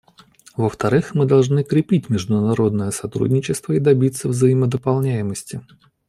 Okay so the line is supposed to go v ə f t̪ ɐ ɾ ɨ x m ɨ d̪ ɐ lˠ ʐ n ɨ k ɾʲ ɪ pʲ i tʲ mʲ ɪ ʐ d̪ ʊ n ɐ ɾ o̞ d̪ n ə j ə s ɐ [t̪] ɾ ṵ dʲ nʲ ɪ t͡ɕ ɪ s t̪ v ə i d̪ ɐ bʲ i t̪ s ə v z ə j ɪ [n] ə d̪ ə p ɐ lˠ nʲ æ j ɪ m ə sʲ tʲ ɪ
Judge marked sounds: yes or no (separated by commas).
yes, no